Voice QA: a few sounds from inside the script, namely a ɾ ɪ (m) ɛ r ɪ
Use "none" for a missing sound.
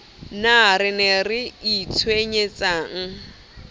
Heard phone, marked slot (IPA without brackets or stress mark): n